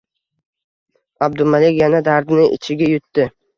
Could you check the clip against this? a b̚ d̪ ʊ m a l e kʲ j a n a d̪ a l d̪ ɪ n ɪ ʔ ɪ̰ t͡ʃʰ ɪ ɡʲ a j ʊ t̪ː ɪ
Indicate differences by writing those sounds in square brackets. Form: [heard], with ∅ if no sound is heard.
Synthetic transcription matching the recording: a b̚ d̪ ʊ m a l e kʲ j a n a d̪ a [ɾ] d̪ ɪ n ɪ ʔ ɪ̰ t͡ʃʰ ɪ ɡʲ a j ʊ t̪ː ɪ